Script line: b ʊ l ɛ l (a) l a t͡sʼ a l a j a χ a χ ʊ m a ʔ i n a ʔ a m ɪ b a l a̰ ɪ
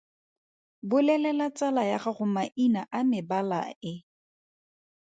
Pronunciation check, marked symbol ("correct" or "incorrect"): incorrect